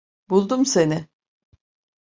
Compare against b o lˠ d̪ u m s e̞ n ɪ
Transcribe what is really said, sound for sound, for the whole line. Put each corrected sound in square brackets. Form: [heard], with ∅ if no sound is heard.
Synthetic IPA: b [u] lˠ d̪ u m s e̞ n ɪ

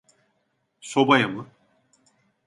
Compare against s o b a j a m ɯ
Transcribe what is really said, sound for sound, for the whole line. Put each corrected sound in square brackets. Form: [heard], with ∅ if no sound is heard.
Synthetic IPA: s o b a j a m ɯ

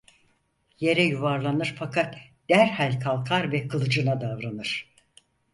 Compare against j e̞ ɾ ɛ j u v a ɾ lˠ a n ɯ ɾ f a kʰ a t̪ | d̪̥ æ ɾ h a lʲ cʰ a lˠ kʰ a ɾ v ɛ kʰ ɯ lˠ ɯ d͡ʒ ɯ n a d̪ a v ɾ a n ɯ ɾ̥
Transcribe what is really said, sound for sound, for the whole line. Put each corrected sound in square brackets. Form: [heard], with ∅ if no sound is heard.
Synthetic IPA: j e̞ ɾ ɛ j u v a ɾ lˠ a n ɯ ɾ f a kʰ a t̪ | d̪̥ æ ɾ h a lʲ [kʰ] a lˠ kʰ a ɾ v ɛ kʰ ɯ lˠ ɯ d͡ʒ ɯ n a d̪ a v ɾ a n ɯ ɾ̥

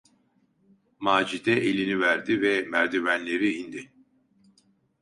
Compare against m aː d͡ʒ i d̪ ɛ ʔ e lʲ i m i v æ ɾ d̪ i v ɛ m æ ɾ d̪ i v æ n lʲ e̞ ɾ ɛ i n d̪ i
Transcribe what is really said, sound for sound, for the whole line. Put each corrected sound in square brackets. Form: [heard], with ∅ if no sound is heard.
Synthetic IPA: m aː d͡ʒ i d̪ ɛ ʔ e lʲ i [n] i v æ ɾ d̪ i v ɛ m æ ɾ d̪ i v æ n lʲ e̞ ɾ [i] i n d̪ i

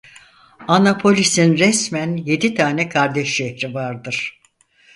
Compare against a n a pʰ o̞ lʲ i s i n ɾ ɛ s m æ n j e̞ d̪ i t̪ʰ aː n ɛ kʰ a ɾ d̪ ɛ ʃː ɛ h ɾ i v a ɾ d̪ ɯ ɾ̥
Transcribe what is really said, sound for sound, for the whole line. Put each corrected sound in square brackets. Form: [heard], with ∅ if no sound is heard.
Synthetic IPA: a n a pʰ o̞ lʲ i s i n ɾ ɛ s m æ n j e̞ d̪ i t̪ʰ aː n ɛ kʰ a ɾ d̪ ɛ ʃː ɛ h ɾ i v a ɾ d̪ ɯ ɾ̥

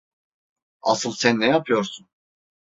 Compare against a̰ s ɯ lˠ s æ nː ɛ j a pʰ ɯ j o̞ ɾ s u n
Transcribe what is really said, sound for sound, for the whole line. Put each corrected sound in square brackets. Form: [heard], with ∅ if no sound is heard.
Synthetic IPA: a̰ s ɯ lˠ s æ nː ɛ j a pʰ ɯ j o̞ ɾ s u n

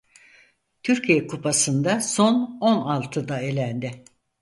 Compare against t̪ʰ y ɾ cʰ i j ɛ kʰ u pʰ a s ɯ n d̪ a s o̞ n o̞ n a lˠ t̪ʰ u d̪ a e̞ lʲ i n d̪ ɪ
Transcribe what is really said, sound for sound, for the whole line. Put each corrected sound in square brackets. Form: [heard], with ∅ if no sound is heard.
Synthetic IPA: t̪ʰ y ɾ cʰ i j ɛ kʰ u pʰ a s ɯ n d̪ a s o̞ n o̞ n a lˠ t̪ʰ [ɯ] d̪ a e̞ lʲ [æ] n d̪ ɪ

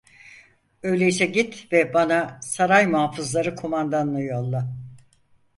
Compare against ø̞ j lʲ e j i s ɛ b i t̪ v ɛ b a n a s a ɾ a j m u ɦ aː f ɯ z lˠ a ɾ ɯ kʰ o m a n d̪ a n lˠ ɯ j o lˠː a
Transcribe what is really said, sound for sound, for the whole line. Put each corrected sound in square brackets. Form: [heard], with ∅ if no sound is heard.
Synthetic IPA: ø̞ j lʲ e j i s ɛ [ɟ] i t̪ v ɛ b a n a s a ɾ a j m u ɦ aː f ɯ z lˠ a ɾ ɯ kʰ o m a n d̪ a n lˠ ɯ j o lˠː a

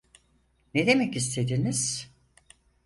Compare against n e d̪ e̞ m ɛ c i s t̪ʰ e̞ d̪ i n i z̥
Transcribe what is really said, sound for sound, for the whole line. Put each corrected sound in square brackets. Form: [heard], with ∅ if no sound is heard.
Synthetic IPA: n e d̪ e̞ m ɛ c i s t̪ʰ e̞ d̪ i n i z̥

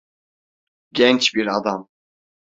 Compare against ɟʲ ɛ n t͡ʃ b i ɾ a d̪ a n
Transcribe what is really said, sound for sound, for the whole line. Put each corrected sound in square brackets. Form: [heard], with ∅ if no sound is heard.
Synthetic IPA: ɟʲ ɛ n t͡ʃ b i ɾ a d̪ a [m]

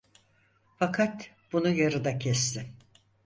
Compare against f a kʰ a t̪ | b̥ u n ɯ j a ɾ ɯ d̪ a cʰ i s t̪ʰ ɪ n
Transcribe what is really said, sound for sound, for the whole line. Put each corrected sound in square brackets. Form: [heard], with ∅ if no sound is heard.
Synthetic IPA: f a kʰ a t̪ | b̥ u n [u] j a ɾ ɯ d̪ a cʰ [ɛ] s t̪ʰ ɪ [m]

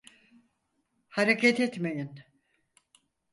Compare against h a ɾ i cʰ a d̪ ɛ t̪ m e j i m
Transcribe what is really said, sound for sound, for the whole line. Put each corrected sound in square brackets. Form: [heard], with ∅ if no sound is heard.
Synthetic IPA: h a ɾ [e] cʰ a [t̪] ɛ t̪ m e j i [n]

